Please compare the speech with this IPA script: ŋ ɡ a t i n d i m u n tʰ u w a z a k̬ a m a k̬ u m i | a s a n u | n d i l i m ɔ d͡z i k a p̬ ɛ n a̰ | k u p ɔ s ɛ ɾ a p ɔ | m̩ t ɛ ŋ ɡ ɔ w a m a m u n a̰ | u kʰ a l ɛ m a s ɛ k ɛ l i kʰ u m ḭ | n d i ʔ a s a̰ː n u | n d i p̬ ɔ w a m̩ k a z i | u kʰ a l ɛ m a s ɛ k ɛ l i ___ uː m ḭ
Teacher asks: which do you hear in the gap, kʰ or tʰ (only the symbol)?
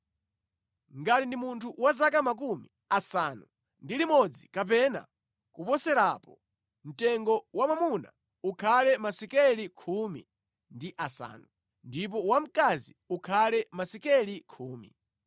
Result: kʰ